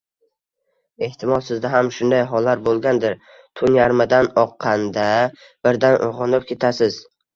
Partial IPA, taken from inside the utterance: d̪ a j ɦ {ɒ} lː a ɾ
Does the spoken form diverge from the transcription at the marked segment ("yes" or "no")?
no